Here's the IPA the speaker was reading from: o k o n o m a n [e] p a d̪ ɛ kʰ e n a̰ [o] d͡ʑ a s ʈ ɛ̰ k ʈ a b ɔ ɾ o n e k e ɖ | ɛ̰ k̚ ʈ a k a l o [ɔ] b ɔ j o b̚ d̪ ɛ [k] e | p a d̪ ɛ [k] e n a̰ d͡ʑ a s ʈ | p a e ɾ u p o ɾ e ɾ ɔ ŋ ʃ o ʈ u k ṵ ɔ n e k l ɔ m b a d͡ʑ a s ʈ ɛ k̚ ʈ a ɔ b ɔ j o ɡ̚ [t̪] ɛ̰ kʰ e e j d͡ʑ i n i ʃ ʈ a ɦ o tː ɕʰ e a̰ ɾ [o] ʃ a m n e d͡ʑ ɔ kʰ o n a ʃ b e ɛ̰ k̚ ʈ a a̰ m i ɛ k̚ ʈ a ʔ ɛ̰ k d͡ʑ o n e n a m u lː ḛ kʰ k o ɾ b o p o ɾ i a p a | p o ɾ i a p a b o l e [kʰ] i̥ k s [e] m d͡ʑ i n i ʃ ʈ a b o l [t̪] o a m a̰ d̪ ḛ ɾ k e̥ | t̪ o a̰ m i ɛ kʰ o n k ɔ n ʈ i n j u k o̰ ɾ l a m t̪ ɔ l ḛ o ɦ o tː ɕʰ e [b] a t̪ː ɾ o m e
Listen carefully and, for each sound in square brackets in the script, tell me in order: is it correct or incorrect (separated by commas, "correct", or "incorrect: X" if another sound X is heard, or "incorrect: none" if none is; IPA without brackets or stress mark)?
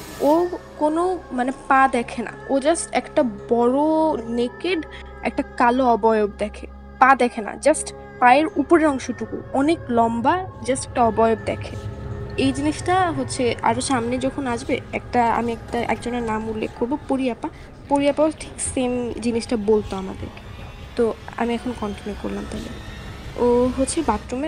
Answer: correct, correct, correct, incorrect: kʰ, incorrect: kʰ, incorrect: d̪, correct, incorrect: ʈʰ, correct, correct, correct